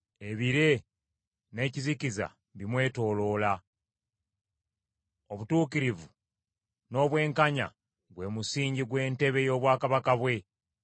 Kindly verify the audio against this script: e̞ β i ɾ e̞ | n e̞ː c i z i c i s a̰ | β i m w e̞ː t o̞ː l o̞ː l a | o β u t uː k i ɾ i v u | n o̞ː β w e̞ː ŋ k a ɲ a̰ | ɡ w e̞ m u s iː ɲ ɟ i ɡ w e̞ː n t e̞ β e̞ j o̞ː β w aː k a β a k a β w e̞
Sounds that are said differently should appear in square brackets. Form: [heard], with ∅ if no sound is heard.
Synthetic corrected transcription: e̞ β i ɾ e̞ | n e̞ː c i z i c i [z] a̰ | β i m w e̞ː t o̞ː l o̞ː l a | o β u t uː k i ɾ i v u | n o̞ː β w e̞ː ŋ k a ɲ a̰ | ɡ w e̞ m u s iː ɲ ɟ i ɡ w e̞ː n t e̞ β e̞ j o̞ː β w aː k a β a k a β w e̞